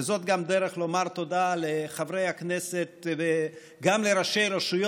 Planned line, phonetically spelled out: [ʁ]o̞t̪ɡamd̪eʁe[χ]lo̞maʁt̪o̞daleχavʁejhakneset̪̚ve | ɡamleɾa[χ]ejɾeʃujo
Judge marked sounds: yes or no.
no, yes, no

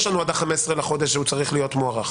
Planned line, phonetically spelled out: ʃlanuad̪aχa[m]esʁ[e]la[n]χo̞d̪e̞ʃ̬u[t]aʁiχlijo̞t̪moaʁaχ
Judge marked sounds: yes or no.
yes, yes, no, no

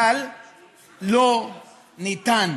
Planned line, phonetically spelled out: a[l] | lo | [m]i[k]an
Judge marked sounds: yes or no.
yes, no, no

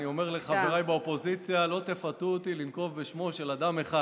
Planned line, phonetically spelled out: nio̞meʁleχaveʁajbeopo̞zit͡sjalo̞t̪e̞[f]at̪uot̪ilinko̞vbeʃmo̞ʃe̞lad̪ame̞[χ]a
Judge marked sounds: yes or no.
yes, yes

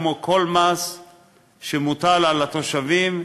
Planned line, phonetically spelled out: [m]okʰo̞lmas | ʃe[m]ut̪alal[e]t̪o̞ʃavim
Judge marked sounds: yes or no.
yes, yes, no

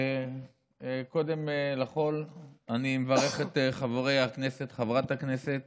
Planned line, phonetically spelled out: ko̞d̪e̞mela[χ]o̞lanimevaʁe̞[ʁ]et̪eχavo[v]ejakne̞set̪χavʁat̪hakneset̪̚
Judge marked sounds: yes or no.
yes, no, no

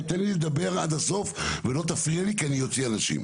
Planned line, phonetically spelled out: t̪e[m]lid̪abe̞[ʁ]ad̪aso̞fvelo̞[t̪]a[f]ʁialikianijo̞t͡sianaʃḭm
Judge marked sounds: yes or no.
no, yes, yes, yes

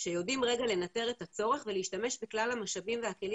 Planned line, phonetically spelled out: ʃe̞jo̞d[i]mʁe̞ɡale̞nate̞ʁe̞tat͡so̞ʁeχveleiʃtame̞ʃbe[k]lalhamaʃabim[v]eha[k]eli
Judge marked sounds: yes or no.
yes, yes, yes, yes

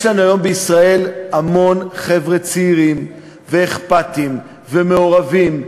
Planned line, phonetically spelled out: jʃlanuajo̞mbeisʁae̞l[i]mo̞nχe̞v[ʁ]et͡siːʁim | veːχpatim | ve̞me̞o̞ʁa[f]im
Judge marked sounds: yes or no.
no, yes, no

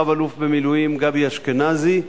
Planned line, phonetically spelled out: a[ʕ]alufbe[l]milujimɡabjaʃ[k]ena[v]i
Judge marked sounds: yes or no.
no, no, yes, no

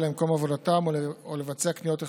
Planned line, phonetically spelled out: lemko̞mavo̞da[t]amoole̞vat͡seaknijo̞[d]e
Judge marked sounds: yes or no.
yes, no

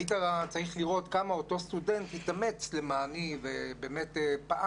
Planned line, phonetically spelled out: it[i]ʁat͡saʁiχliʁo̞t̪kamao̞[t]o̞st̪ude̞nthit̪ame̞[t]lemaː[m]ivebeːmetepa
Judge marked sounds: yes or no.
no, yes, no, no

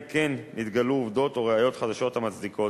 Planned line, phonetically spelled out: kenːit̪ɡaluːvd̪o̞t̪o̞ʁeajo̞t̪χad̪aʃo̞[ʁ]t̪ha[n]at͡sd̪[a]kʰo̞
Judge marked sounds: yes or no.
no, no, no

